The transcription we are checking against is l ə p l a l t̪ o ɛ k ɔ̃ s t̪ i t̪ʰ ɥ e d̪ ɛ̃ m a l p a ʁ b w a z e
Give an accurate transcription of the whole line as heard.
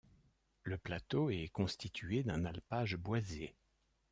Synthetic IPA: l ə p l a t̪ o ɛ k ɔ̃ s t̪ i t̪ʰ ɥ e d̪ ɛ̃ n a l p a ʒ b w a z e

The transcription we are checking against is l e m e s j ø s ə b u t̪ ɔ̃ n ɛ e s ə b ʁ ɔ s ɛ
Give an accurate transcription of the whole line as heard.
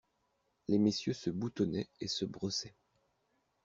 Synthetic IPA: l e m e s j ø s ə b u t̪ ɔ n ɛ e s ə b ʁ ɔ s ɛ

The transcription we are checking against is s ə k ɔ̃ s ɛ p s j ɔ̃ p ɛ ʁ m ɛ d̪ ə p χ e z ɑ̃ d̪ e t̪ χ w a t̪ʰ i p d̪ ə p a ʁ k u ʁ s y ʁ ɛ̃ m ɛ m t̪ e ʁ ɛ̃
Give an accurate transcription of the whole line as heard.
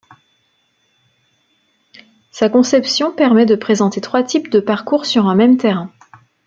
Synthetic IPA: s a k ɔ̃ s ɛ p s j ɔ̃ p ɛ ʁ m ɛ d̪ ə p χ e z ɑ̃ t̪ e t̪ χ w a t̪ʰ i p d̪ ə p a ʁ k u ʁ s y ʁ ɛ̃ m ɛ m t̪ e ʁ ɛ̃

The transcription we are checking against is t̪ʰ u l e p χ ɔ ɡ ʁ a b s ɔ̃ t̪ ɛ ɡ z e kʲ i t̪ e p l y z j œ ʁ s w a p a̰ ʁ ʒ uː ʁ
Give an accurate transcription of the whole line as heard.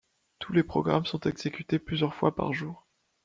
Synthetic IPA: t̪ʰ u l e p χ ɔ ɡ ʁ a m s ɔ̃ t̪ ɛ ɡ z e kʲ y t̪ e p l y z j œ ʁ f w a p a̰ ʁ ʒ uː ʁ

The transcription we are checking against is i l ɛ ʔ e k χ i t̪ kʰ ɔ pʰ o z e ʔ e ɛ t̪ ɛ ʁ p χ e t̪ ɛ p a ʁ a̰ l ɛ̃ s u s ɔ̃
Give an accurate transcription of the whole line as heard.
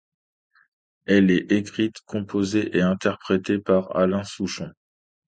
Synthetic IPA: ɛ l ɛ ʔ e k χ i t̪ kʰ ɔ̃ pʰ o z e ʔ e ɛ̃ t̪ ɛ ʁ p χ e t̪ e p a ʁ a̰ l ɛ̃ s u ʃ ɔ̃

